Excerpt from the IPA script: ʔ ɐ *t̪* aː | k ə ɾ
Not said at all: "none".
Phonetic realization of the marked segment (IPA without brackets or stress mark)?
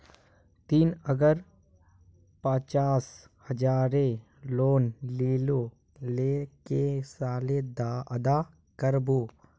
d̪